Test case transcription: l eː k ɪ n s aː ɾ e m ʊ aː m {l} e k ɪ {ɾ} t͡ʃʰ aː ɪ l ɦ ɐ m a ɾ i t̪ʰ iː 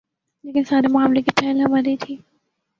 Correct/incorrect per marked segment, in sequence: correct, incorrect

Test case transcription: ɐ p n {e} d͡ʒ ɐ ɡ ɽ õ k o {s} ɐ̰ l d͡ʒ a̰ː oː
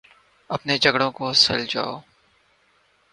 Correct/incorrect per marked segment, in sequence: correct, correct

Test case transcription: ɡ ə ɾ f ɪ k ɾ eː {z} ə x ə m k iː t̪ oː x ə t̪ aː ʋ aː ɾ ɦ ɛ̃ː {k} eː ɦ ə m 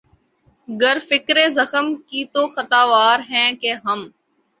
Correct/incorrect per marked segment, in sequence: correct, correct

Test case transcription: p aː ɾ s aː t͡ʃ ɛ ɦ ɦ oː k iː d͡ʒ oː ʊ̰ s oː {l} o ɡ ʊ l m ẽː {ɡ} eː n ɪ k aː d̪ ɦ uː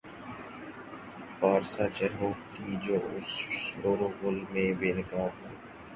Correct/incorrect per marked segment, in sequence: incorrect, incorrect

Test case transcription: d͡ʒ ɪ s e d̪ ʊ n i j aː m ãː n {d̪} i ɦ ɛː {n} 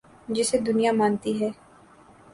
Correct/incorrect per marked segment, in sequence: incorrect, incorrect

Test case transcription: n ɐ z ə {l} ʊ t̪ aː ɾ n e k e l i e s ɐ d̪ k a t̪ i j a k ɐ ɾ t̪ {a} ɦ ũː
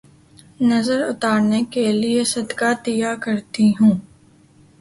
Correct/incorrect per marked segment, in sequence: incorrect, incorrect

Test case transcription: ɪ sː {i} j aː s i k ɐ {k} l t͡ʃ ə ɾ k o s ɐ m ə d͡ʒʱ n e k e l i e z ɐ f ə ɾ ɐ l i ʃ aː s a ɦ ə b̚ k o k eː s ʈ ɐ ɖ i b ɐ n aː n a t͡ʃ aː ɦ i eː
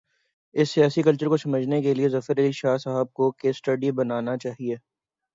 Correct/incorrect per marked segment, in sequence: correct, incorrect

